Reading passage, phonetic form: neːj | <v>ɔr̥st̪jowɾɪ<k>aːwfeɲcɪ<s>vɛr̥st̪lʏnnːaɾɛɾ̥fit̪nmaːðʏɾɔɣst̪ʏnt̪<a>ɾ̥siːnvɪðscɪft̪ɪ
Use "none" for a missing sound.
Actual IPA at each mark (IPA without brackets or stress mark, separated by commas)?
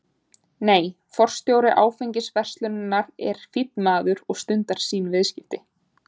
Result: f, ʔ, s, a